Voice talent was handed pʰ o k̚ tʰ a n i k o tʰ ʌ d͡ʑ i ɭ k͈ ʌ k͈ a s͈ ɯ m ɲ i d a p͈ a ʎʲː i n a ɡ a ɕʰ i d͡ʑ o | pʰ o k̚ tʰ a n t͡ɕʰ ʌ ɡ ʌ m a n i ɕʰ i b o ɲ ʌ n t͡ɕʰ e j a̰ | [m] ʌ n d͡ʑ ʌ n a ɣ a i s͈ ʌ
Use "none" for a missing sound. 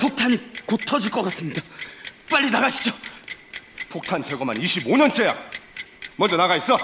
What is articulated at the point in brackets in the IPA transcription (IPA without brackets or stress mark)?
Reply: m